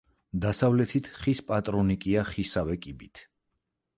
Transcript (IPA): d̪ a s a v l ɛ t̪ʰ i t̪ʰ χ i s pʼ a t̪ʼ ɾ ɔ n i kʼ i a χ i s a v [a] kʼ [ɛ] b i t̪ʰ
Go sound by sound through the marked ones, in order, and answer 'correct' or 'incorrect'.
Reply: incorrect, incorrect

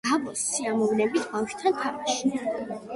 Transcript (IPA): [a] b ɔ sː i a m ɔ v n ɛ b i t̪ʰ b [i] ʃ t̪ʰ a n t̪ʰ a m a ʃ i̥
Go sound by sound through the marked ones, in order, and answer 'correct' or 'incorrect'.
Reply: correct, incorrect

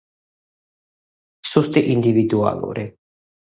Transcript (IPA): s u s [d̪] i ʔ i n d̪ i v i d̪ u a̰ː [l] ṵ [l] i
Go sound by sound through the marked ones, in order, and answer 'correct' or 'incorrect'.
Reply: incorrect, correct, incorrect

